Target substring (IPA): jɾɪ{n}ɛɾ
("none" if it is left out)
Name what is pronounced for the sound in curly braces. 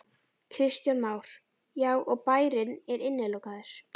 n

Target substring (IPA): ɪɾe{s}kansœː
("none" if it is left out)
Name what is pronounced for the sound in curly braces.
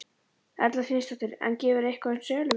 h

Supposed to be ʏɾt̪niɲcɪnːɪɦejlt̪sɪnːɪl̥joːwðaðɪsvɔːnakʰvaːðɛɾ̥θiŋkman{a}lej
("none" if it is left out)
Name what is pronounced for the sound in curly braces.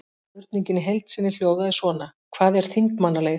a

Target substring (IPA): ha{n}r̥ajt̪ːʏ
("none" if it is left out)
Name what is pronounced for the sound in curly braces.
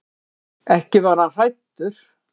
n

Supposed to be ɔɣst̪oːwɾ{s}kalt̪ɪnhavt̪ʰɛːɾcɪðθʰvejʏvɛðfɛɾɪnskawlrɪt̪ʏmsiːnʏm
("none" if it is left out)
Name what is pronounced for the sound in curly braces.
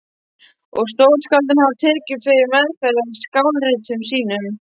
s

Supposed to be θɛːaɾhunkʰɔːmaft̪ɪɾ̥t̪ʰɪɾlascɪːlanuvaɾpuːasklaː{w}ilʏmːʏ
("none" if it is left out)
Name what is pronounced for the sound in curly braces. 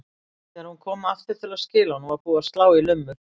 w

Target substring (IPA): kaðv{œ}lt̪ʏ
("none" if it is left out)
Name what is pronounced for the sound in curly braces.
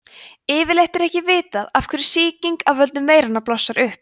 œ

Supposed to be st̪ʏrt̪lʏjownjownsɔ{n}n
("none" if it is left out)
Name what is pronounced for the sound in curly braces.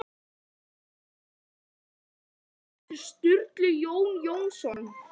n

